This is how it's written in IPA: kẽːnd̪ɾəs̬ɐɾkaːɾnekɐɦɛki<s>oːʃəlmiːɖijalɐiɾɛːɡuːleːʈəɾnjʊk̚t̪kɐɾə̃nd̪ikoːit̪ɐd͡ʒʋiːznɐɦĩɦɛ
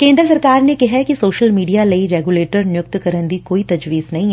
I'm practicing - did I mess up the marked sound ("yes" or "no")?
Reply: no